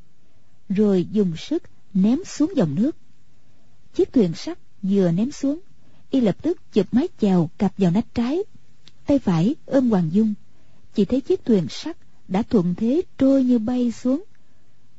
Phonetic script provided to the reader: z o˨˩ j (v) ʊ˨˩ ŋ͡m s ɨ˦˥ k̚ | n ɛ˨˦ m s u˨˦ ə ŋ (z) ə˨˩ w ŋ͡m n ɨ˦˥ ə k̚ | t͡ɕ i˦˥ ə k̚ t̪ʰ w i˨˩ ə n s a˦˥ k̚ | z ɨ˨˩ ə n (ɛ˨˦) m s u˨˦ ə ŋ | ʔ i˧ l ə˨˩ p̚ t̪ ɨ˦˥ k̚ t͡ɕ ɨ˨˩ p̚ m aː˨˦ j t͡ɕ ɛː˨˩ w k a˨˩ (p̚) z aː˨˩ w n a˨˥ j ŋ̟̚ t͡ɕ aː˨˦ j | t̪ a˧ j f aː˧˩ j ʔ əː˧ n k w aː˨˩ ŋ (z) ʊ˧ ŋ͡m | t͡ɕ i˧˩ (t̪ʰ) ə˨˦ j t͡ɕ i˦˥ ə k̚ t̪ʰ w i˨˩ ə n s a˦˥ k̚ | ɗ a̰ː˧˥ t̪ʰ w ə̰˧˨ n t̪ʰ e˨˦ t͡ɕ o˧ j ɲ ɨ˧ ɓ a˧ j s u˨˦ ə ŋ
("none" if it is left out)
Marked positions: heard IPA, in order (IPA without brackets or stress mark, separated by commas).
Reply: z, z, ɛ˨˦, p̚, z, t̪ʰ